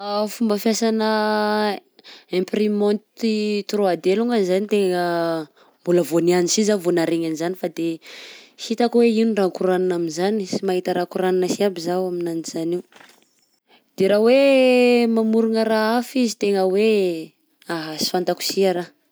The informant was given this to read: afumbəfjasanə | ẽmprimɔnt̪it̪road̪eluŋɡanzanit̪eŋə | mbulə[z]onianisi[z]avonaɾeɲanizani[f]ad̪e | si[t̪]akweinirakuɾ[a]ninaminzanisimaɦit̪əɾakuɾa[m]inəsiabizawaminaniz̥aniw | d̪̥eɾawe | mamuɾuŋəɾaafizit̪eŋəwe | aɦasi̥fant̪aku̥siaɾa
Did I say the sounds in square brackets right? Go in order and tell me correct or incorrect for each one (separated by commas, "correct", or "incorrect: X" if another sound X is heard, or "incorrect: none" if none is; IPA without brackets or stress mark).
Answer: incorrect: v, correct, correct, correct, correct, incorrect: n